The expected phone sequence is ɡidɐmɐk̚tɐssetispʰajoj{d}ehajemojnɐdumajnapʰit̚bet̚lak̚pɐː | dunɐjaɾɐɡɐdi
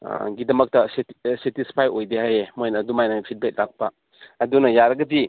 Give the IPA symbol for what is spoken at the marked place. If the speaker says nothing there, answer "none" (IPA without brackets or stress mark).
d